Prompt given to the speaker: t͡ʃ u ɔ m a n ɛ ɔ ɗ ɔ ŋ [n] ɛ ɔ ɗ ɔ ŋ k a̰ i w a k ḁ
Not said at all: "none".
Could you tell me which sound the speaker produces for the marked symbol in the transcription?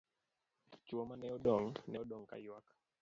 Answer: n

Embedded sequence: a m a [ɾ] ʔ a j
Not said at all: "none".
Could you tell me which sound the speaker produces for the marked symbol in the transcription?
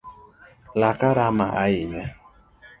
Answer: none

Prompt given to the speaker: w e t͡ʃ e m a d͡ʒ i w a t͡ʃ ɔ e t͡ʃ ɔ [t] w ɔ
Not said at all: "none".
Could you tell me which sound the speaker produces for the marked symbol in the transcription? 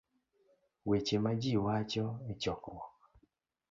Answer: k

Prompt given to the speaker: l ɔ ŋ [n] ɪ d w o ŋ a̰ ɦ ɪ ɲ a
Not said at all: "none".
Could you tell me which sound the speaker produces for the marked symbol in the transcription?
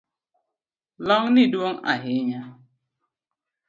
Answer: n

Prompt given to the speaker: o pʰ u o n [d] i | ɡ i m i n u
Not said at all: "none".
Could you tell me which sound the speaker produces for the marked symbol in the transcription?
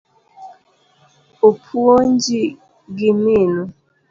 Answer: d͡ʒ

